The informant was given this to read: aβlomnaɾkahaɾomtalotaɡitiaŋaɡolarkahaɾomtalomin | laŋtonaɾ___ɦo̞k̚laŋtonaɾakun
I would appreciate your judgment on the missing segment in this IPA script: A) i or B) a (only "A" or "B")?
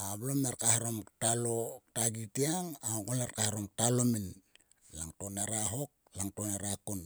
B